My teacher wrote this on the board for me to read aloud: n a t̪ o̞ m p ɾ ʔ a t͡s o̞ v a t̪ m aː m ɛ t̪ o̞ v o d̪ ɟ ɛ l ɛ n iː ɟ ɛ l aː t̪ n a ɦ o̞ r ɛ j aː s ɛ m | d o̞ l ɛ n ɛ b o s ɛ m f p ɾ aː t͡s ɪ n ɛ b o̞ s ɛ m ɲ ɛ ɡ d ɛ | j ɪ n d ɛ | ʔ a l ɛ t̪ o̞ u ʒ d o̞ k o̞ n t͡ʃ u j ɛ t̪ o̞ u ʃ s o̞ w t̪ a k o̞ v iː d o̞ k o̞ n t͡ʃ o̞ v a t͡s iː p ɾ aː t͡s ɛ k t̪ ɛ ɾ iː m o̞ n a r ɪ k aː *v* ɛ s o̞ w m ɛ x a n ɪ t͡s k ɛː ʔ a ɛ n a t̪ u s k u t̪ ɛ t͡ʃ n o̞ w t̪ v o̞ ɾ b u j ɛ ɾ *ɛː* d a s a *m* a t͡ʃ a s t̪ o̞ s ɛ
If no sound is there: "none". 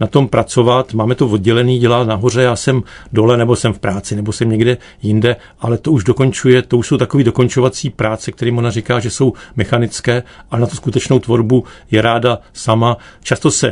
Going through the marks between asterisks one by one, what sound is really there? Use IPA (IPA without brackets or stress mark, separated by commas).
ʒ, aː, m